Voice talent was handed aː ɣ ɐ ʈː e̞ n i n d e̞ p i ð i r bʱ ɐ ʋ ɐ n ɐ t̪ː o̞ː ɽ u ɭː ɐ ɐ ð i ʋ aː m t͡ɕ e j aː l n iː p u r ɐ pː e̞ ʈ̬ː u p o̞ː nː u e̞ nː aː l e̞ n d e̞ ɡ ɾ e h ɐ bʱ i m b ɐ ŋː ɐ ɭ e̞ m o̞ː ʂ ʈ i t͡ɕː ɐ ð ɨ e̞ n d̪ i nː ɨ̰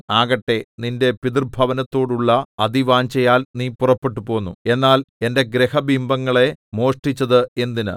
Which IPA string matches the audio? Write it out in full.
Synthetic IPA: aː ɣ ɐ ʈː e̞ n i n d e̞ p i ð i r bʱ ɐ ʋ ɐ n ɐ t̪ː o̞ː ɽ u ɭː ɐ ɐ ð i ʋ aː ɲ t͡ɕ e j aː l n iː p u r ɐ pː e̞ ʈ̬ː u p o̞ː nː u e̞ nː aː l e̞ n d e̞ ɡ ɾ e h ɐ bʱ i m b ɐ ŋː ɐ ɭ e̞ m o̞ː ʂ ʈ i t͡ɕː ɐ ð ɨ e̞ n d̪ i n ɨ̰